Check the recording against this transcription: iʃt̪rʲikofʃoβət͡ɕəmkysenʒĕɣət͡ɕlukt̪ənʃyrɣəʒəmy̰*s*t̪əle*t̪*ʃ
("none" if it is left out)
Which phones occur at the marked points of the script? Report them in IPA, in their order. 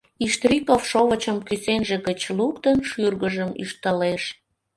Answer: ʃ, none

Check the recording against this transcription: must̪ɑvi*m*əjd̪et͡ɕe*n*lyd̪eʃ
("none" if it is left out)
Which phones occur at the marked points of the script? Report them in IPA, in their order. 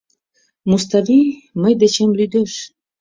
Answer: m, m

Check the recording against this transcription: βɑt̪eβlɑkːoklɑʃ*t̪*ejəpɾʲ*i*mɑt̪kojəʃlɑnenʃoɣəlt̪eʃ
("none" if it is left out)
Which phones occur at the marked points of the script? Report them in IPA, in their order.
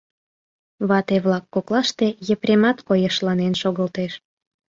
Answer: t̪, e

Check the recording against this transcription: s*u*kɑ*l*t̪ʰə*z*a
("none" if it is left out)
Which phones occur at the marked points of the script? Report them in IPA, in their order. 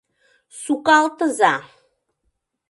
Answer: u, l, z

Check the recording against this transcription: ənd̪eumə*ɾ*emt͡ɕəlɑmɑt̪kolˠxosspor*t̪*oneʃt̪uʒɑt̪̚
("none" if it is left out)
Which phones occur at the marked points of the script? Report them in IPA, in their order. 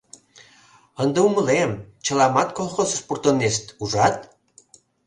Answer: l, t̪

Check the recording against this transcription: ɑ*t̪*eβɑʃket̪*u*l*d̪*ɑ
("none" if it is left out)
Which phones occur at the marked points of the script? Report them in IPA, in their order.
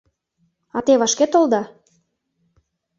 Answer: t̪, o, d̪

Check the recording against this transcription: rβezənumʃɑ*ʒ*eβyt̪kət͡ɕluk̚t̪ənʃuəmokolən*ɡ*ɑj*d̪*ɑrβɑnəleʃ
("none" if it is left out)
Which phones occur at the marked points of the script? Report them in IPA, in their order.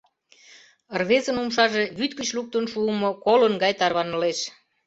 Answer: ʒ, ɡ, t̪

